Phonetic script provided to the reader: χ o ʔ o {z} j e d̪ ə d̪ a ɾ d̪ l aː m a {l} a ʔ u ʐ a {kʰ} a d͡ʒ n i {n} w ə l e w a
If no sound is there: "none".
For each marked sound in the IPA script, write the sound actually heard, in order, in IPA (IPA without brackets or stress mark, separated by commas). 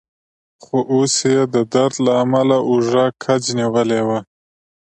s, l, kʰ, none